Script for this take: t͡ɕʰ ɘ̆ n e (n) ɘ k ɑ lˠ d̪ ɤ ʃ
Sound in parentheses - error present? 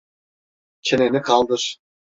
no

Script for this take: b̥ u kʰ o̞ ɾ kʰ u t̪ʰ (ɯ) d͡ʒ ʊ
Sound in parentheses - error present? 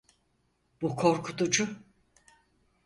yes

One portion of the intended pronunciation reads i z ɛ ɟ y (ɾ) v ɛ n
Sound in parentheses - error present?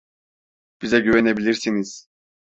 yes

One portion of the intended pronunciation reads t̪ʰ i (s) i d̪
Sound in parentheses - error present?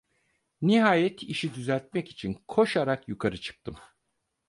yes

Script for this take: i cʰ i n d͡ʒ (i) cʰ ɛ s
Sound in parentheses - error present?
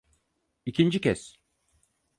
no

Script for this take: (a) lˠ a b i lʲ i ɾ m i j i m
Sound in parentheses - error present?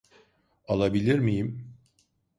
no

